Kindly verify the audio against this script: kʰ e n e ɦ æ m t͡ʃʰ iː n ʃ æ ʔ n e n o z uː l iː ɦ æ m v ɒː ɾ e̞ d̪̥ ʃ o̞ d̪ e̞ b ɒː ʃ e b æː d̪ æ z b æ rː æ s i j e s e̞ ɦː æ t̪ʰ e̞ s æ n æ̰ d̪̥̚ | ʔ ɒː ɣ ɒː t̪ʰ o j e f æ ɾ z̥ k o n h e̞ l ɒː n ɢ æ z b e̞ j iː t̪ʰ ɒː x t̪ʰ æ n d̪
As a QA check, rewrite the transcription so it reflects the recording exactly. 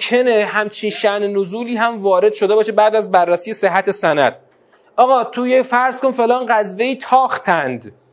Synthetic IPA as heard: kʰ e n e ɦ æ m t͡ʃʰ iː n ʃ æ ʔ n e n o z uː l iː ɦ æ m v ɒː ɾ e̞ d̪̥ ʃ o̞ d̪ e̞ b ɒː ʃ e b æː d̪ æ z b æ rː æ s i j e s e̞ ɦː æ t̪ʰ e̞ s æ n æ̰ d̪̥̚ | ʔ ɒː ɣ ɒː t̪ʰ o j e f æ ɾ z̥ k o n f e̞ l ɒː n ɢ æ z v e̞ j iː t̪ʰ ɒː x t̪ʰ æ n d̪